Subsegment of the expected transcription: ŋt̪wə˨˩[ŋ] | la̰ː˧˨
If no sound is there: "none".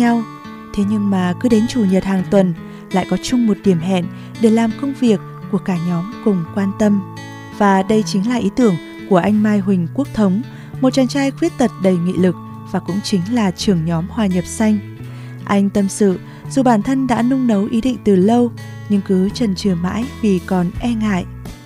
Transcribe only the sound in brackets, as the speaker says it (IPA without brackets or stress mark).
n